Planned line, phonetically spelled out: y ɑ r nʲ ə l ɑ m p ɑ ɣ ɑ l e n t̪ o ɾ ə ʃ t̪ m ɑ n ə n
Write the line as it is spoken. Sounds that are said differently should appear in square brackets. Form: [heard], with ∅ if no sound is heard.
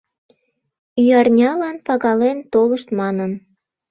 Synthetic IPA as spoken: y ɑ r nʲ [ɑ] l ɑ [n] p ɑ ɣ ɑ l e n t̪ o [l] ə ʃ t̪ m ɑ n ə n